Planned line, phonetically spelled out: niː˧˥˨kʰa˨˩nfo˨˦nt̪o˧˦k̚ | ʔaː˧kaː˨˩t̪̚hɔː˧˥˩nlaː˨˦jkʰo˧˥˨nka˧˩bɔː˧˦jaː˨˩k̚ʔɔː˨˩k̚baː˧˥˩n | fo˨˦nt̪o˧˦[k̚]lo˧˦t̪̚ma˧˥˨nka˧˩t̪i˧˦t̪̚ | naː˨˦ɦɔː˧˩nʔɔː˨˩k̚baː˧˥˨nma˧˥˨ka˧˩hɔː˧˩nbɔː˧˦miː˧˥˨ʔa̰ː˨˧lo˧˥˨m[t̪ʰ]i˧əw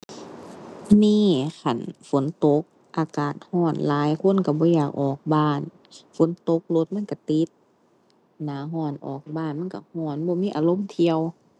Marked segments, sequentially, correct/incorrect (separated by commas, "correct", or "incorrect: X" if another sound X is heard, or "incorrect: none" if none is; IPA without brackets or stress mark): correct, correct